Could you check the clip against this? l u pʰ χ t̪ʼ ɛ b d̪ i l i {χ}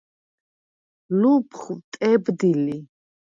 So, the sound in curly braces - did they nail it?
no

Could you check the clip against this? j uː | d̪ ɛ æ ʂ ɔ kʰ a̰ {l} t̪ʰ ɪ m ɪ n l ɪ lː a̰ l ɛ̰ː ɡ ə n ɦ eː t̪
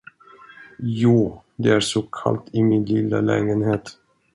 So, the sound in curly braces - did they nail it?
yes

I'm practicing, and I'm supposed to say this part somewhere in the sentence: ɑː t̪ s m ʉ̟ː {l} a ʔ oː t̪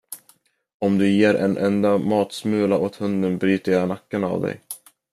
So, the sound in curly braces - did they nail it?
yes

